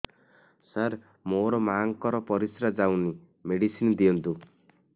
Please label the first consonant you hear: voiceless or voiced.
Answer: voiceless